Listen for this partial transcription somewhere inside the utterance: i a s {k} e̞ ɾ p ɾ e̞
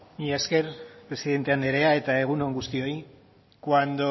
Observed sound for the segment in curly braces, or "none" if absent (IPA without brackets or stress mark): k